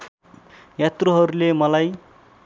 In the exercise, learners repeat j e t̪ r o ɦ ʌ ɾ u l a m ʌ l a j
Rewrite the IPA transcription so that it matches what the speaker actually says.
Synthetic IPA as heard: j a t̪ r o ɦ ʌ ɾ u l e m ʌ l a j